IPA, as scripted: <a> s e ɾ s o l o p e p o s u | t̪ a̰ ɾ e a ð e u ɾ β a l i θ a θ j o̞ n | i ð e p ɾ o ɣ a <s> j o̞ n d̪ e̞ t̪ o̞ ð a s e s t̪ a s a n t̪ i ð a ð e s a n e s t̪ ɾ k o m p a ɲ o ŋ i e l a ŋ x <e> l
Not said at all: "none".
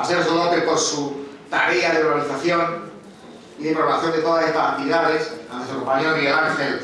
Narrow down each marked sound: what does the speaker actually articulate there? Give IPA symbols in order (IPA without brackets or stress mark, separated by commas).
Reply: a, θ, e